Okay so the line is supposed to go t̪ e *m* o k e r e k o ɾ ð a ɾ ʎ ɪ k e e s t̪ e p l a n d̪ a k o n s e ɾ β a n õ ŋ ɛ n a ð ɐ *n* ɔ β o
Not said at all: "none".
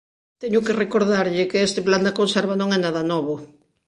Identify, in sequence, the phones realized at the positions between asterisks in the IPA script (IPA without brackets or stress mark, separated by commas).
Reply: ɲ, n